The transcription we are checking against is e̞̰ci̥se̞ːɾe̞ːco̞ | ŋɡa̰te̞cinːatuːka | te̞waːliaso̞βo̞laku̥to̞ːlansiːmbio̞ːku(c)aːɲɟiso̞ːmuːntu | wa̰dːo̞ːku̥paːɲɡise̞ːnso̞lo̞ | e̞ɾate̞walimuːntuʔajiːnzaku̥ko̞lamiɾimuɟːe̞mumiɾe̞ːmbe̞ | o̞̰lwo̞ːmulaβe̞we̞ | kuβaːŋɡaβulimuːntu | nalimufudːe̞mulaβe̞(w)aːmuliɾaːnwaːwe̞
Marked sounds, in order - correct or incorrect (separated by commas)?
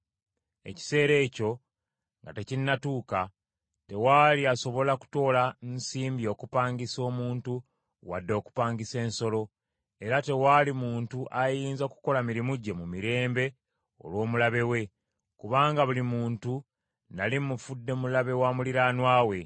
incorrect, correct